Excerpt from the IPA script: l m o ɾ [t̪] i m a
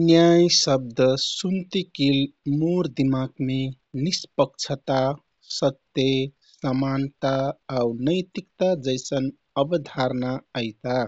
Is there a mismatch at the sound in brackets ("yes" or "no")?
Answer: yes